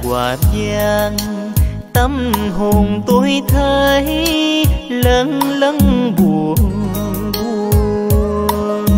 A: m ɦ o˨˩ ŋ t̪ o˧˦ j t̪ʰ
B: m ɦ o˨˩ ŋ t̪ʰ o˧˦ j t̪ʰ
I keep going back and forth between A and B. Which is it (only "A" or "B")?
A